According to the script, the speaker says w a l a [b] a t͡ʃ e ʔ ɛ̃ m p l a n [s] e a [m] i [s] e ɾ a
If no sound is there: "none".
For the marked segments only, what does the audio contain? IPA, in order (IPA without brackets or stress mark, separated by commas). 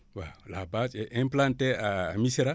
b, t, m, s